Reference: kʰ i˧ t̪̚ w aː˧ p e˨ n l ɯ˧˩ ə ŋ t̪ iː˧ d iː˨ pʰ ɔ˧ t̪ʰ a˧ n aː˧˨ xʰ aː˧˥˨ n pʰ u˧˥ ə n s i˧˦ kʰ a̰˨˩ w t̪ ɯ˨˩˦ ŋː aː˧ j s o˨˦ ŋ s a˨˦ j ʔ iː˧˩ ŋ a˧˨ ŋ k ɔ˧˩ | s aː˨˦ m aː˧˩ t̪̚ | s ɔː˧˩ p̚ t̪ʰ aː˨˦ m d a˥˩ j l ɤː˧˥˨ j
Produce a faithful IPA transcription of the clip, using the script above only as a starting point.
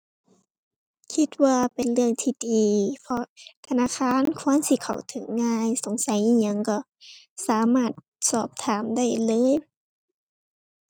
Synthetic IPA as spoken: kʰ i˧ t̪̚ w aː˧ p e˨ n l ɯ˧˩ ə ŋ t̪ʰ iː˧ d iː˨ pʰ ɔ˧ t̪ʰ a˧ n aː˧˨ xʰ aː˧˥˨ n kʰ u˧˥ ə n s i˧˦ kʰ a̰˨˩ w t̪ʰ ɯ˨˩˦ ŋː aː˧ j s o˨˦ ŋ s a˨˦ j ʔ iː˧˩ ɲ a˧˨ ŋ k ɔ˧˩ | s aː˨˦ m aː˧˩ t̪̚ | s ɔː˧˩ p̚ t̪ʰ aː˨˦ m d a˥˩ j l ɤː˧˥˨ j